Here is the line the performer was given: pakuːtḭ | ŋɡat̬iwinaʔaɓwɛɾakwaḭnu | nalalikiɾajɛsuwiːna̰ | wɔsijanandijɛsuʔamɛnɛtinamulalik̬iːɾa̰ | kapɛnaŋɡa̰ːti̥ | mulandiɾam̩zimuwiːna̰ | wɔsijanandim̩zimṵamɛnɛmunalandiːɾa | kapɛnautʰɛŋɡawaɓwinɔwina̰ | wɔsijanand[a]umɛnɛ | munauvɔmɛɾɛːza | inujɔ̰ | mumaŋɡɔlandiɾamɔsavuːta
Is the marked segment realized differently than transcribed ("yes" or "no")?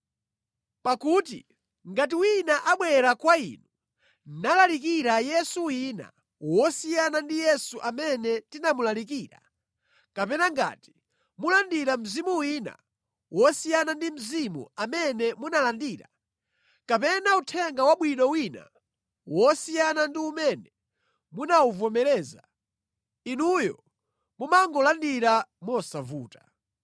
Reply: yes